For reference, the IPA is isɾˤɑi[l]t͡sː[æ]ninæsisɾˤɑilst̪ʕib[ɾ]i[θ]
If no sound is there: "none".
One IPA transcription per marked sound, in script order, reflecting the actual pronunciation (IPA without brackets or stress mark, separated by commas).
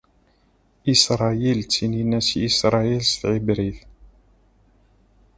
l, i, ɾ, θ